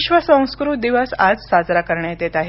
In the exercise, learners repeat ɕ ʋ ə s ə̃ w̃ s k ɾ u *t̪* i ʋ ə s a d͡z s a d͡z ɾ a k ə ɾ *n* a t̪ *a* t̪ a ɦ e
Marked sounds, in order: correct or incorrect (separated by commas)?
incorrect, incorrect, incorrect